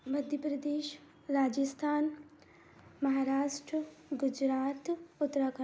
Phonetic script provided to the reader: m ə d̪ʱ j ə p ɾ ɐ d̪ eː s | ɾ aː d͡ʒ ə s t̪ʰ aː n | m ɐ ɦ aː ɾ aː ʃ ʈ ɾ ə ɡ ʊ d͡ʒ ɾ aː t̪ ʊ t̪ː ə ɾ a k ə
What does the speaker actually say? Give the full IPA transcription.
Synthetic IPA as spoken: m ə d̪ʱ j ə p ɾ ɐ d̪ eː ʃ | ɾ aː d͡ʒ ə s t̪ʰ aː n | m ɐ ɦ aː ɾ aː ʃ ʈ ɾ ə ɡ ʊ d͡ʒ ɾ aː t̪ ʊ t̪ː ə ɾ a k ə

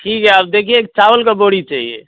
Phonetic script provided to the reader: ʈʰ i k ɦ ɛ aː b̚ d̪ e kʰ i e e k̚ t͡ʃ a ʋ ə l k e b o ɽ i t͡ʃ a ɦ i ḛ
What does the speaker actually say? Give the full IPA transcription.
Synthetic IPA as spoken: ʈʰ i k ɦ ɛ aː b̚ d̪ e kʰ i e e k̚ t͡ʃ a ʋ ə l k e b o ɽ i t͡ʃ a ɦ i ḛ

